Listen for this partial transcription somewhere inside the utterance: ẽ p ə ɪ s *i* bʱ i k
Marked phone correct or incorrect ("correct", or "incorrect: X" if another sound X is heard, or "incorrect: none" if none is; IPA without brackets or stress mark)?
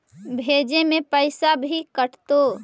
incorrect: a